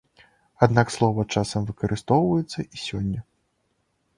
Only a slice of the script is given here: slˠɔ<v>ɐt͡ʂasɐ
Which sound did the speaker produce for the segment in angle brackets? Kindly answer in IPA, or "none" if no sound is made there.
v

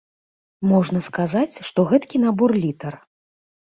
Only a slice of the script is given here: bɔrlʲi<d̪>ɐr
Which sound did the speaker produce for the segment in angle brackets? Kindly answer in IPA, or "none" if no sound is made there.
t̪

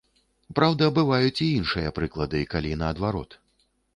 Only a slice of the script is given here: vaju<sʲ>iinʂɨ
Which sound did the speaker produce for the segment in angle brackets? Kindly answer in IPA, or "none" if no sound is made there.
t͡sʲ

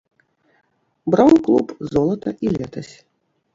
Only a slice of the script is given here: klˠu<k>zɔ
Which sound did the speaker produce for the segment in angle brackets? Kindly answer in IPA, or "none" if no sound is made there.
p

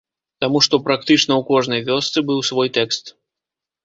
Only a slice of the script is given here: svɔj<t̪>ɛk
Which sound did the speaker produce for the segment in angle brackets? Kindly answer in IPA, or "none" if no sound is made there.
t̪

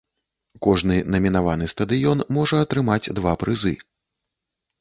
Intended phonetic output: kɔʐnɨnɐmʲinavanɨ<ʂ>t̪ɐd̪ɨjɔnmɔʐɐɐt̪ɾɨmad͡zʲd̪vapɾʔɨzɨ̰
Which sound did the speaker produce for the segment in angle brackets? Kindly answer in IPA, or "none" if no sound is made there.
s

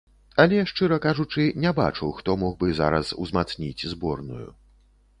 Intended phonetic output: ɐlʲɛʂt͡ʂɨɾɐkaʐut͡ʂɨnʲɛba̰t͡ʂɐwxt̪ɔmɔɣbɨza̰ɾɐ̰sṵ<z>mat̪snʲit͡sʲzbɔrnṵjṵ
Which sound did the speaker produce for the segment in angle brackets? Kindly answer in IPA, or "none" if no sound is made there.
z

